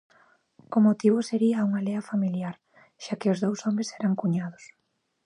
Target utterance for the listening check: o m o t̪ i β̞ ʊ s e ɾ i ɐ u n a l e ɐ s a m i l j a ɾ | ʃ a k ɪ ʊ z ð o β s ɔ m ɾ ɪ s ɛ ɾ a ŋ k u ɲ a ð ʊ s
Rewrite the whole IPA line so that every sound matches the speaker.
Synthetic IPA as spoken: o m o t̪ i β̞ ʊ s e ɾ i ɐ u ŋ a l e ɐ f a m i l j a ɾ | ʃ a k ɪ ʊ z ð o w s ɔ m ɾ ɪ s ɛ ɾ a ŋ k u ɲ a ð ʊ s